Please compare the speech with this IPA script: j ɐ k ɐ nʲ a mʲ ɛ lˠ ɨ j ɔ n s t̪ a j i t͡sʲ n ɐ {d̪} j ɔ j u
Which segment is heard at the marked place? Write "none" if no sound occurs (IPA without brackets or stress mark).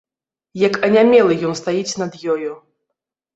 d̪